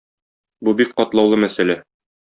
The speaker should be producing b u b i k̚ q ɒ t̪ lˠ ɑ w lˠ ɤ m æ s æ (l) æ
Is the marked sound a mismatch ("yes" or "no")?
no